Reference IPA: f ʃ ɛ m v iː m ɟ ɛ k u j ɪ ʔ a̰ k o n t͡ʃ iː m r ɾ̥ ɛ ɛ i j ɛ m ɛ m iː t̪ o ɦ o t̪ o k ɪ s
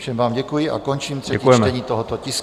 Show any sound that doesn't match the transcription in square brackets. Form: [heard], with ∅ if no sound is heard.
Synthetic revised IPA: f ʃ ɛ m v [aː] m ɟ ɛ k u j ɪ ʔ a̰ k o n t͡ʃ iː m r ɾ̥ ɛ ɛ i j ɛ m ɛ [ɲ] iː t̪ o ɦ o t̪ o [c] ɪ s

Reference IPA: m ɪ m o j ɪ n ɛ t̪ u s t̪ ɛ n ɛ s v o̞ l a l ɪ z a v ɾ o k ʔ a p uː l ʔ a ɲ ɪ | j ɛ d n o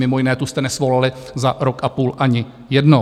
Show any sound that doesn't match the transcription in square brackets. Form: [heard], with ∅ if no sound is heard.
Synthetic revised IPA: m ɪ m o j ɪ n [ɛː] t̪ u s t̪ ɛ n ɛ s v o̞ l a l ɪ z a [∅] ɾ o k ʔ a p uː l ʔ a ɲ ɪ | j ɛ d n o

